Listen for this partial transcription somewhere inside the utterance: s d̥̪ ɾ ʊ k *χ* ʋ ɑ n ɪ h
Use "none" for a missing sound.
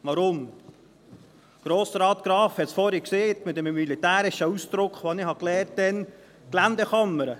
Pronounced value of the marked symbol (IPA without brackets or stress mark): χ